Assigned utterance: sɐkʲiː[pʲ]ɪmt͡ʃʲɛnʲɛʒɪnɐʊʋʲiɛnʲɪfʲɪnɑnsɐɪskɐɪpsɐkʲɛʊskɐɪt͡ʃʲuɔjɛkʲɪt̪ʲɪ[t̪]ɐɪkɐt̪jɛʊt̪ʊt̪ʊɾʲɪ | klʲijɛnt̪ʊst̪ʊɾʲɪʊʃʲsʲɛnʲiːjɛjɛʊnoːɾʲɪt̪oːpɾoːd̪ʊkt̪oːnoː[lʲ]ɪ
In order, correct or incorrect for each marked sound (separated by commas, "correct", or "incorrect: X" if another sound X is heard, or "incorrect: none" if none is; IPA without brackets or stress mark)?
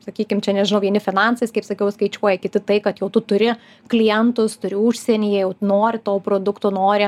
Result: incorrect: kʲ, correct, incorrect: ɾʲ